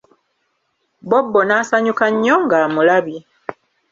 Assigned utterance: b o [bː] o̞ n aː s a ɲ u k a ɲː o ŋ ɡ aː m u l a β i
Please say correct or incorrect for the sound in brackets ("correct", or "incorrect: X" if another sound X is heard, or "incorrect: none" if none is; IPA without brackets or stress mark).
correct